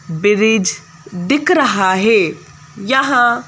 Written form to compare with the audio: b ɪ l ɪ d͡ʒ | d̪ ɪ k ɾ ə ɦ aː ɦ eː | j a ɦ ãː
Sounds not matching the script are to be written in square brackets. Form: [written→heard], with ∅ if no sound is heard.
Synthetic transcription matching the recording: b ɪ [l→ɾ] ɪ d͡ʒ | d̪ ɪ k ɾ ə ɦ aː ɦ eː | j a ɦ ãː